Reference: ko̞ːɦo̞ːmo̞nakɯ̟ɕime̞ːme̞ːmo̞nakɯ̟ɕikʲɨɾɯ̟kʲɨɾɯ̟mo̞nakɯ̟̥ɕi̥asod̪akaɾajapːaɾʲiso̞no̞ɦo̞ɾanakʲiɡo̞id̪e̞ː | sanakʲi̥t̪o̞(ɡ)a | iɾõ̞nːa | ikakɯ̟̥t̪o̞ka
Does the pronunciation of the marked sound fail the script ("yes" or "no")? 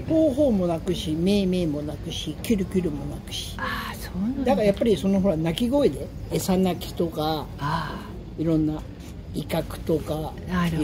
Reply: yes